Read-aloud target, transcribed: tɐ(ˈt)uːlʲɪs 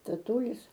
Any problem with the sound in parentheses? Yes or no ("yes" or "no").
no